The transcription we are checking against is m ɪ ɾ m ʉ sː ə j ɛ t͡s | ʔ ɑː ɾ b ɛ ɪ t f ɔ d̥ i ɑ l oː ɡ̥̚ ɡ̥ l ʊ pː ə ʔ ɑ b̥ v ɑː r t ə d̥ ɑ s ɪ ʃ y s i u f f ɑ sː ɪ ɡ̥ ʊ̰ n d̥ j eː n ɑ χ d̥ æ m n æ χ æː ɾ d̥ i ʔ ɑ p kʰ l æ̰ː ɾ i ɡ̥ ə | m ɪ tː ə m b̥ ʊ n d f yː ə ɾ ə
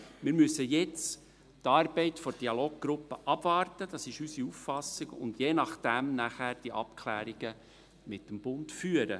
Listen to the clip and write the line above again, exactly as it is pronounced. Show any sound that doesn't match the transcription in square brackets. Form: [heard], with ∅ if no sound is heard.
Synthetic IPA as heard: m ɪ ɾ m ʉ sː ə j ɛ t͡s | [t] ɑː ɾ b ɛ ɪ t f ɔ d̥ i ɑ l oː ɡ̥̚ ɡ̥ [ɾ] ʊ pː ə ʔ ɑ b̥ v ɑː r t ə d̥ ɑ s ɪ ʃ y s i u f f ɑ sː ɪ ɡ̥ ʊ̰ n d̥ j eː n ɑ χ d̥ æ m n æ χ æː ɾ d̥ i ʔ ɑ p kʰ l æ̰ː ɾ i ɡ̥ ə | m ɪ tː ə m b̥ ʊ n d f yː ə ɾ ə